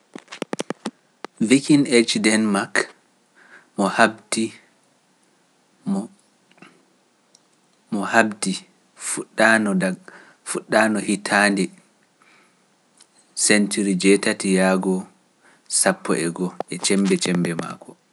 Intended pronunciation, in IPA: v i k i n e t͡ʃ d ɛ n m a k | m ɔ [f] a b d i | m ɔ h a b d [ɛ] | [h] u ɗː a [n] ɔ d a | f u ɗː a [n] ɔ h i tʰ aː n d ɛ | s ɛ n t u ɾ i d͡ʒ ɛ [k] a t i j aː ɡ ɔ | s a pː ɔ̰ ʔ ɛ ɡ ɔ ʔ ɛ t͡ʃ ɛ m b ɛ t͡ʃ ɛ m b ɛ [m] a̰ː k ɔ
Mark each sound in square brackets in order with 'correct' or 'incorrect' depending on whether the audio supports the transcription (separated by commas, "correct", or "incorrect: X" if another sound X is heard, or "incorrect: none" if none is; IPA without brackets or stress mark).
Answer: incorrect: h, incorrect: i, incorrect: f, correct, correct, incorrect: t, correct